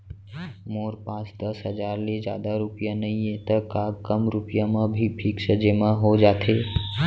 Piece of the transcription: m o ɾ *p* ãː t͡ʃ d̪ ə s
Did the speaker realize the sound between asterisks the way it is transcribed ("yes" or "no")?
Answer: yes